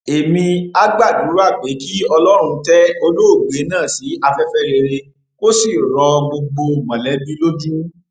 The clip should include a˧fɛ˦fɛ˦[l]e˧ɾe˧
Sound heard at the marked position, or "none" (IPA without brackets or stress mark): ɾ